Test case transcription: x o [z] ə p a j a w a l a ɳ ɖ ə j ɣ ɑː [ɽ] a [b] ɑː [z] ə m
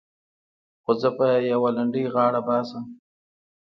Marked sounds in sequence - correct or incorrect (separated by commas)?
correct, correct, correct, incorrect